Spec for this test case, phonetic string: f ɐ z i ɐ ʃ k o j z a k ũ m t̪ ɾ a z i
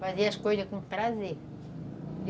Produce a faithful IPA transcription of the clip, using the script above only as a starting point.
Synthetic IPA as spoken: f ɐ z i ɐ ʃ k o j z ɐ k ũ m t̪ ɾ a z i